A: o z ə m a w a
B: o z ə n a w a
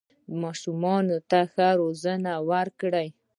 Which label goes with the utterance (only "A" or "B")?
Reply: B